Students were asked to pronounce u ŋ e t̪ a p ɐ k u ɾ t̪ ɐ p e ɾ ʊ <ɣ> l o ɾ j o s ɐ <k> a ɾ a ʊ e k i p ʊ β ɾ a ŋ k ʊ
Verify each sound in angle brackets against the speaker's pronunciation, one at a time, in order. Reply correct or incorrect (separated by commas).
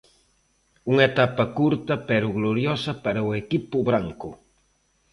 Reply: correct, incorrect